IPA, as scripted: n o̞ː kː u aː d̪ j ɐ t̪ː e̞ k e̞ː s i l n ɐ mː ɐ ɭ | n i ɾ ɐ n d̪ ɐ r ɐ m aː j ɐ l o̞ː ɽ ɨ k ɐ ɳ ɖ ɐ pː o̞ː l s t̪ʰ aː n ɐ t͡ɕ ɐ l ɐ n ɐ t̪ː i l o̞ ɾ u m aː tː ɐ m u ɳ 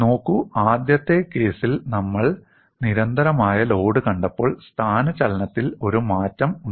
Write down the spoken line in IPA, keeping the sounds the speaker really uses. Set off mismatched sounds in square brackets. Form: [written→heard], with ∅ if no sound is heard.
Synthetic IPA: n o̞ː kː u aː d̪ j ɐ t̪ː e̞ k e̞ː s i l n ɐ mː ɐ ɭ | n i ɾ ɐ n d̪ ɐ [r→ɾ] ɐ m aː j ɐ l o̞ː ɽ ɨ k ɐ ɳ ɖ ɐ pː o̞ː [l→ɭ] s t̪ʰ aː n ɐ t͡ɕ ɐ l ɐ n ɐ t̪ː i l o̞ ɾ u m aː tː ɐ m u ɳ